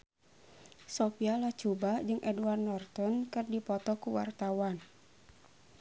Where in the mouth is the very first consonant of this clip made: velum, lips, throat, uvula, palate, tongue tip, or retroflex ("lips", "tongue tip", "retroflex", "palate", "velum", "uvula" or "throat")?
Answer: tongue tip